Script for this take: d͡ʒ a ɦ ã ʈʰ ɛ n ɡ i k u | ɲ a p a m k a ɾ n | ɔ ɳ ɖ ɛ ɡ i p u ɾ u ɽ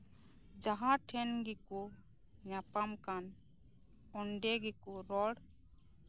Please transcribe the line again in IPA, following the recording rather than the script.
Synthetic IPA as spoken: d͡ʒ a ɦ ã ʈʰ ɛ n ɡ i k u | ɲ a p a m k a n | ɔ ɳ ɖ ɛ ɡ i k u ɾ ɔ ɽ